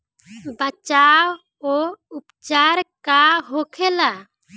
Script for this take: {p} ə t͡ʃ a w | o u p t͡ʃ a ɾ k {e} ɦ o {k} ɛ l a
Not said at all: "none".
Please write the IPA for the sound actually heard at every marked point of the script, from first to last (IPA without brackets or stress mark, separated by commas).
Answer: b, a, kʰ